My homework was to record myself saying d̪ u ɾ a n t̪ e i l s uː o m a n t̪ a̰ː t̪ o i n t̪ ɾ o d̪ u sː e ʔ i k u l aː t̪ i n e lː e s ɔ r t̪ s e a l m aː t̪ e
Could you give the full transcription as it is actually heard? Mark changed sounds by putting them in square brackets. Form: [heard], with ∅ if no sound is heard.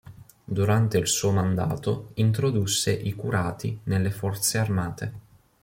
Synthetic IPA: d̪ u ɾ a n t̪ e i l s uː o m a n [d̪] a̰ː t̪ o i n t̪ ɾ o d̪ u sː e ʔ i k u [ɾ] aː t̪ i n e lː e [f] ɔ r t̪ s e a [r] m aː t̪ e